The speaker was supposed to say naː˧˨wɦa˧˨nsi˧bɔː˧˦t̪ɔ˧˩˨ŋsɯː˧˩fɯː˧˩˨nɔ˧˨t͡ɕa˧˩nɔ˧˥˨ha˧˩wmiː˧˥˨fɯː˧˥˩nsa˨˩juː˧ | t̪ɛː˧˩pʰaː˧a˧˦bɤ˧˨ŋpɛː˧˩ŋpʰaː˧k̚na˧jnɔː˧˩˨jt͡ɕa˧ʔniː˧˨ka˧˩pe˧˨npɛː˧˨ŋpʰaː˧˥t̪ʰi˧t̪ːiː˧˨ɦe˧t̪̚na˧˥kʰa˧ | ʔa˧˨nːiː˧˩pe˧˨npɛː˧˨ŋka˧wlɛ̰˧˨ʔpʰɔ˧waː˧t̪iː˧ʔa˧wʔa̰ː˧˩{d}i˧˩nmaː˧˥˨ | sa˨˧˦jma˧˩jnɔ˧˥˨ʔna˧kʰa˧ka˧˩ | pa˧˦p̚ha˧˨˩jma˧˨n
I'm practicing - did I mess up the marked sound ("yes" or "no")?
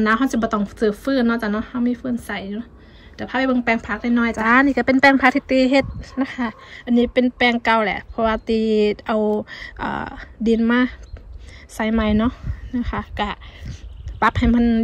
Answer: no